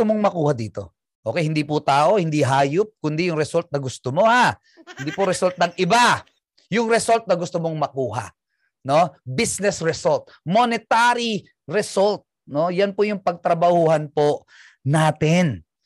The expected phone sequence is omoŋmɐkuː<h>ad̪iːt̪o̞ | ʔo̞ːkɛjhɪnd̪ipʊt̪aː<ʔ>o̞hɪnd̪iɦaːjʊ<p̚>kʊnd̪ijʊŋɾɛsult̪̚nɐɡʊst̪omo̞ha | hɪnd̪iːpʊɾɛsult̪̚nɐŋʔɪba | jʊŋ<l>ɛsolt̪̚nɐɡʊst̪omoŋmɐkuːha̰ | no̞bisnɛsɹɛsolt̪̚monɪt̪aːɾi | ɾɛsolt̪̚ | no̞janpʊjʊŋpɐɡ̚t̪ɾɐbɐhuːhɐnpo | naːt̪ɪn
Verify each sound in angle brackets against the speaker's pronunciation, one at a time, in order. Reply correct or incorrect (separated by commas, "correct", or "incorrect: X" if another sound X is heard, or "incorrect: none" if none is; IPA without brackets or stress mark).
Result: correct, correct, correct, incorrect: ɾ